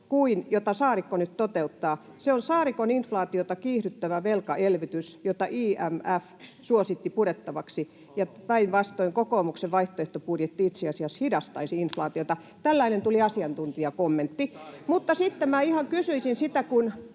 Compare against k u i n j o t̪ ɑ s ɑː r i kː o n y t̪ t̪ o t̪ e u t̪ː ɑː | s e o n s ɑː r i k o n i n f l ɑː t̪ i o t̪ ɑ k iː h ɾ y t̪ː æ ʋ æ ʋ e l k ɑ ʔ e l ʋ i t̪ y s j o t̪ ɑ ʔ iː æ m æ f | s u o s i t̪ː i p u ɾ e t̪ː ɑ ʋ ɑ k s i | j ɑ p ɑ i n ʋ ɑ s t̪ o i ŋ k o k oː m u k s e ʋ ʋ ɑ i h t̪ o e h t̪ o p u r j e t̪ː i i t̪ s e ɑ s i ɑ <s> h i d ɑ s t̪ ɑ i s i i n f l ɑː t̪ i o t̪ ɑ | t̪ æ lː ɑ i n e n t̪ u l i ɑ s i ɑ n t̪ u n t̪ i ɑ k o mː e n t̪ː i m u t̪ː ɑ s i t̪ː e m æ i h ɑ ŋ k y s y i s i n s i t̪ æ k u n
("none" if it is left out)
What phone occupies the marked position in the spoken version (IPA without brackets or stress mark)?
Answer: s